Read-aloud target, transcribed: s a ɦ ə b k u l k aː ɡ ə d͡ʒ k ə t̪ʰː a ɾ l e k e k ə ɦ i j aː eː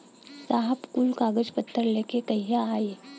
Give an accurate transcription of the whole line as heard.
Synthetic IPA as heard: s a ɦ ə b k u l k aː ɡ ə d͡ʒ p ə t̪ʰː ə ɾ l e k e k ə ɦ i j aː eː

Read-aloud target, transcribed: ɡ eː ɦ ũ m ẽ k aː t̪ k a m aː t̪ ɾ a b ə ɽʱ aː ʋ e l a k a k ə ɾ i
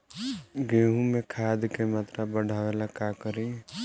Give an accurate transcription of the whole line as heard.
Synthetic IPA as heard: ɡ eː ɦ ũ m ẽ kʰ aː d̪ k e m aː t̪ ɾ a b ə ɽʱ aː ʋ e l a k a k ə ɾ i

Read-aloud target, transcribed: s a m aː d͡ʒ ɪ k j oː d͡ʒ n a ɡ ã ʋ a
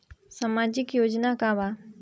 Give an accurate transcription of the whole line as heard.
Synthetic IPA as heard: s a m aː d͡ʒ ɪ k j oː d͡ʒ n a k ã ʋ a

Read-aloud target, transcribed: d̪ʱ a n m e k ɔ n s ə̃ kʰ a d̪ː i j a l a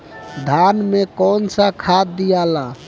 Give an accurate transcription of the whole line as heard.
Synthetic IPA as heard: d̪ʱ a n m e k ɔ n s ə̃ kʰ a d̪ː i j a l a

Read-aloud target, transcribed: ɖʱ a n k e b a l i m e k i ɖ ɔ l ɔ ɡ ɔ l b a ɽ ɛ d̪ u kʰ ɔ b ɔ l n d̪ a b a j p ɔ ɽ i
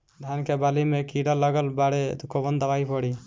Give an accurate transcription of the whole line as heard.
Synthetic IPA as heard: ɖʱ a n k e b a l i m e k i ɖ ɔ l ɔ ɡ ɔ l b a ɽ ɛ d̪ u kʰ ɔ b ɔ n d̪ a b a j p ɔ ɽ i

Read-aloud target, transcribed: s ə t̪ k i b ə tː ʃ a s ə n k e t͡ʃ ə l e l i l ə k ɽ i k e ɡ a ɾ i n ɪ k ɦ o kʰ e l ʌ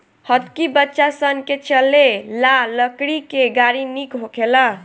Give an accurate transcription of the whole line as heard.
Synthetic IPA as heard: h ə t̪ k i b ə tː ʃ a s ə n k e t͡ʃ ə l e l a l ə k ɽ i k e ɡ a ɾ i n i k ɦ o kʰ e l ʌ

